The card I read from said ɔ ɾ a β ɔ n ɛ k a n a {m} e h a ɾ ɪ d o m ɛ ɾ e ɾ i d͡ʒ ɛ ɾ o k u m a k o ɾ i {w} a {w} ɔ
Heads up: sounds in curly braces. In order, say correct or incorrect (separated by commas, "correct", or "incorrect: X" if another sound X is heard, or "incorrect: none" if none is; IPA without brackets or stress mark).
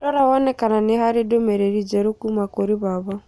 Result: incorrect: n, incorrect: β, incorrect: β